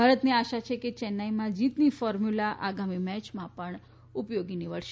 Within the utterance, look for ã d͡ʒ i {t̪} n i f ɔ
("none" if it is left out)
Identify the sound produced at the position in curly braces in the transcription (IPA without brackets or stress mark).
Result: t̪